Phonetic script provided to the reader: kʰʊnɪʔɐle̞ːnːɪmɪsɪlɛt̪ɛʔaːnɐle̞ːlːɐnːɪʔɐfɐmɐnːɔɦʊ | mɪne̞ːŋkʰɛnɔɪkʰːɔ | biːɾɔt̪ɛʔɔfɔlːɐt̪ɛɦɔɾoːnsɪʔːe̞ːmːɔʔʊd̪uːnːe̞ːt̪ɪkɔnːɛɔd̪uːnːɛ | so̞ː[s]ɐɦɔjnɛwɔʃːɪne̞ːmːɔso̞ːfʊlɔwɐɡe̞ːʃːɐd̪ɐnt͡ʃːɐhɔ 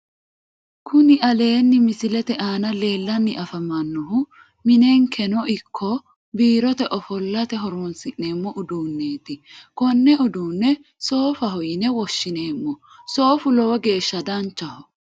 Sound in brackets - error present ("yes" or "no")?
yes